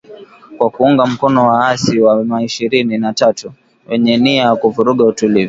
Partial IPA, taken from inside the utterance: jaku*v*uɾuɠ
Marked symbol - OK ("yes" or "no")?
yes